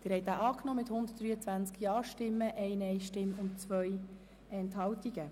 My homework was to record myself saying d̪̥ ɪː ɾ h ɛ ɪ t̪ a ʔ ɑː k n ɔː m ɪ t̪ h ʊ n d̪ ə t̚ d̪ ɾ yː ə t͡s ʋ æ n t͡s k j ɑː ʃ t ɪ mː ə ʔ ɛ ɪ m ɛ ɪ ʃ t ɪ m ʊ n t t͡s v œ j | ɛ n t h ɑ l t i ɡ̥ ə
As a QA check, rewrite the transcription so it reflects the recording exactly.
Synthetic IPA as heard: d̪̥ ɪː ɾ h ɛ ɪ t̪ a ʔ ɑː k n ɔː m ɪ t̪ h ʊ n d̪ ə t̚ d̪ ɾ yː ə t͡s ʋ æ n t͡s k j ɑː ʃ t ɪ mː ə ʔ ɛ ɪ n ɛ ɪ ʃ t ɪ m ʊ n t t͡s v œ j | ɛ n t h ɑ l t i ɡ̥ ə